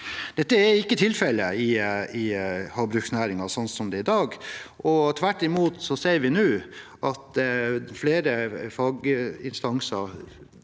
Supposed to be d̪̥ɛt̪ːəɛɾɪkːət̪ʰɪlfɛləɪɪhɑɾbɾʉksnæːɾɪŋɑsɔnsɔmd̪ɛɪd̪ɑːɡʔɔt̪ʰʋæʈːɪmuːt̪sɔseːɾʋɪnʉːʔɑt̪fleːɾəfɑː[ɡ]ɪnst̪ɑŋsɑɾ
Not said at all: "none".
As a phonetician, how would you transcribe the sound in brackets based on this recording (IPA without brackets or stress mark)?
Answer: ɡ